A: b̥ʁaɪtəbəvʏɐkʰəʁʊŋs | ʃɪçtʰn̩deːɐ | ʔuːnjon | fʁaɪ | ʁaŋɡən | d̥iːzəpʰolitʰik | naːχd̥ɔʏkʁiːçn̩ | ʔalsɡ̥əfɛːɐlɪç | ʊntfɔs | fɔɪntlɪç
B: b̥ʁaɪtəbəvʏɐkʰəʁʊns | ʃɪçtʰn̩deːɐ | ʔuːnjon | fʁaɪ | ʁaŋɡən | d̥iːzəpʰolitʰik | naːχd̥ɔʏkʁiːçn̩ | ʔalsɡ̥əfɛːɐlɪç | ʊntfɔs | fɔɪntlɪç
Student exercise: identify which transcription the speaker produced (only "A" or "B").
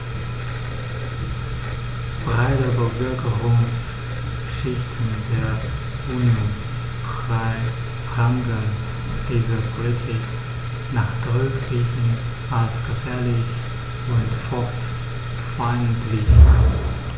A